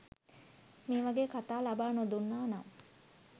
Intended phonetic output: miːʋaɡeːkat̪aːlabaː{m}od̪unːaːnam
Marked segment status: incorrect: n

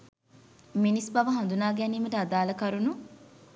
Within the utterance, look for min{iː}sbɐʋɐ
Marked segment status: incorrect: i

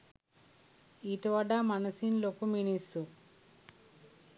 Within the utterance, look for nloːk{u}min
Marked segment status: correct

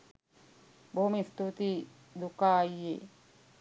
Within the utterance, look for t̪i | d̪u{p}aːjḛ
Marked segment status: incorrect: k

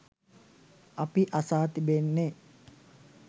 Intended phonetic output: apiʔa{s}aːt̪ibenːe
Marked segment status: correct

